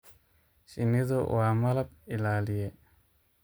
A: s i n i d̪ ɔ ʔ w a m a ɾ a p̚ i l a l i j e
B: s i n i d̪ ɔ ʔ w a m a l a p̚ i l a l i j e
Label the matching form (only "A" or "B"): B